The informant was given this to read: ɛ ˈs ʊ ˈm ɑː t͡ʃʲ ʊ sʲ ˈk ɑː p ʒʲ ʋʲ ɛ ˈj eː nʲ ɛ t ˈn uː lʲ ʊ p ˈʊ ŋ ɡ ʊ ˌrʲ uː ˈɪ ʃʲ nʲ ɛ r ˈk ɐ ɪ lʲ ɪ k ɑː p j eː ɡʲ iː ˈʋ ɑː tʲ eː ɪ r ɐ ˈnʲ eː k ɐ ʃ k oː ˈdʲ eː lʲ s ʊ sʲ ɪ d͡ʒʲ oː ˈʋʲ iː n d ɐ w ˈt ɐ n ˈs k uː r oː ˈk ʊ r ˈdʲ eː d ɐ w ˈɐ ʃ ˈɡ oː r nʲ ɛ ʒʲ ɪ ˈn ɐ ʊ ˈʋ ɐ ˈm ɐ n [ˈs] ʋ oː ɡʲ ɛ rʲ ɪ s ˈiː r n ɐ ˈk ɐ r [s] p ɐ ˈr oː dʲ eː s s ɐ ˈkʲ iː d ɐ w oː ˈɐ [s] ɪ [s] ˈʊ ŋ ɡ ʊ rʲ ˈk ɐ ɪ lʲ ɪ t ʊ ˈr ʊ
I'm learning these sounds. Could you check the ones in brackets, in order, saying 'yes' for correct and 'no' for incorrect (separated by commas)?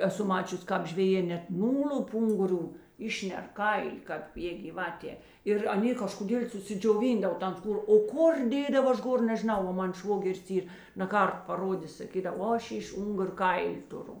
no, no, no, no